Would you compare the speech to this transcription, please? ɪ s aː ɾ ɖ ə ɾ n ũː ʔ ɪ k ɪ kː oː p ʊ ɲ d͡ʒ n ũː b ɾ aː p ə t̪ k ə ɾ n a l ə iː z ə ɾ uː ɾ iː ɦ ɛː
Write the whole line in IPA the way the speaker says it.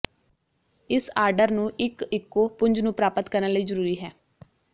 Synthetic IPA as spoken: ɪ s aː ɾ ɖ ə ɾ n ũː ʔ ɪ k ɪ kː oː p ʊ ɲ d͡ʒ n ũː p ɾ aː p ə t̪ k ə ɾ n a l ə iː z ə ɾ uː ɾ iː ɦ ɛː